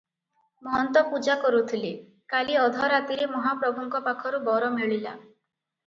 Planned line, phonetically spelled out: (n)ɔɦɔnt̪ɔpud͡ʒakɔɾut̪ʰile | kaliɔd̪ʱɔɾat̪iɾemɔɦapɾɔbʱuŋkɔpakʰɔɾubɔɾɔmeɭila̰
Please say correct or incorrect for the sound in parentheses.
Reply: incorrect: m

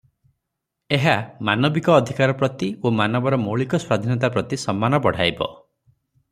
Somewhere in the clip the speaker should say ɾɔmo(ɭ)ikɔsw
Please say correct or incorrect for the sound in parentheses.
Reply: correct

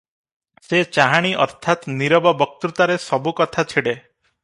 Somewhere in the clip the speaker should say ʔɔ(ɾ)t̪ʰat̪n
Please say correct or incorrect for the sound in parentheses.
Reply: correct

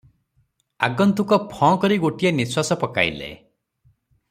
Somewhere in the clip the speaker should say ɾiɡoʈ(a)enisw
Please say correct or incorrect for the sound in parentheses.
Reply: incorrect: i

